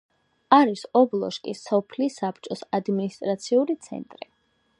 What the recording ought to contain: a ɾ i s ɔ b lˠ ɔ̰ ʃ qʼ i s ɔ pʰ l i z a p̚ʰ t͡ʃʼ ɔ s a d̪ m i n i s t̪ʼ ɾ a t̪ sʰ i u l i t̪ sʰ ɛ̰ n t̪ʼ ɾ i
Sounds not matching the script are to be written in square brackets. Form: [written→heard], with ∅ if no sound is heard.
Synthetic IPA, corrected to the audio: a ɾ i s ɔ b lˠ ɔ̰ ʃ [qʼ→kʼ] i s ɔ pʰ l i [z→s] a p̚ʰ t͡ʃʼ ɔ s a d̪ m i n i s t̪ʼ ɾ a t̪ sʰ i u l i t̪ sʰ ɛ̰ n t̪ʼ ɾ i